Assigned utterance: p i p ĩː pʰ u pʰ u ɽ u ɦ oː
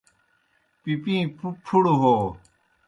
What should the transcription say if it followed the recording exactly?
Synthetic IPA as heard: p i p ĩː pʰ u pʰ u ɽ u ɦ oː